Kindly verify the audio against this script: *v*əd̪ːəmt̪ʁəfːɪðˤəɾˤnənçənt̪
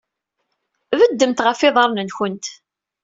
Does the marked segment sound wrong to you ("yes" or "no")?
no